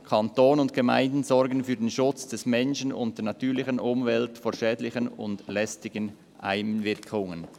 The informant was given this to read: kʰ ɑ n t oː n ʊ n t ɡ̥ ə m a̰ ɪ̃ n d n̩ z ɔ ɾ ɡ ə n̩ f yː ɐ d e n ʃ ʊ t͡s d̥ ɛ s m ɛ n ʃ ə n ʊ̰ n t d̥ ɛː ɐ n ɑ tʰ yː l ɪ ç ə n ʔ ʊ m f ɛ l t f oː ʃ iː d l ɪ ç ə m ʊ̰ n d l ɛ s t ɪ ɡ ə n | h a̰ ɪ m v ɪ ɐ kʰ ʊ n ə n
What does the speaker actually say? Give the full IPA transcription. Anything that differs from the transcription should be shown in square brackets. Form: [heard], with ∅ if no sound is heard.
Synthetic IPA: kʰ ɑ n t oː n ʊ n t ɡ̥ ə m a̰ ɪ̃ n d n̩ z ɔ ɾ ɡ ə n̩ f yː ɐ d e n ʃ ʊ t͡s d̥ ɛ s m ɛ n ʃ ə n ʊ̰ n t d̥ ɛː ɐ n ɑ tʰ yː l ɪ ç ə n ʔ ʊ m [v] ɛ l t f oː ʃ [ɛː] d l ɪ ç ə [n] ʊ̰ n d l ɛ s t ɪ ɡ ə n | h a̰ ɪ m v ɪ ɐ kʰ ʊ [ŋ] ə n